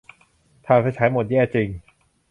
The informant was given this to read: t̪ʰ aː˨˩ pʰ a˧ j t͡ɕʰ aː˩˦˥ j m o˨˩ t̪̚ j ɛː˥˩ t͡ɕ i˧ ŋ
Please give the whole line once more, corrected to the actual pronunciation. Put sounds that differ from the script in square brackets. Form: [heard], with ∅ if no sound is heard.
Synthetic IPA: t̪ʰ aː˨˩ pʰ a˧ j t͡ɕʰ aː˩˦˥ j m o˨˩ t̪̚ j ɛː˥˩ t͡ɕ i˧ ŋ